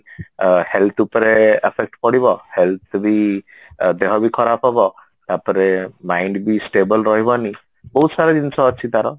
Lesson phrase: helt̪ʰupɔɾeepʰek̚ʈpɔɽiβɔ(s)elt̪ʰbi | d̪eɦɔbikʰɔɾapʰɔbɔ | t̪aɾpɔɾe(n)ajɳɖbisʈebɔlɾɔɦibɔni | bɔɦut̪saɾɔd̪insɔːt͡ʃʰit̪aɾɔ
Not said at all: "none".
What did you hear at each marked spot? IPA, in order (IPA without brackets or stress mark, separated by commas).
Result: h, m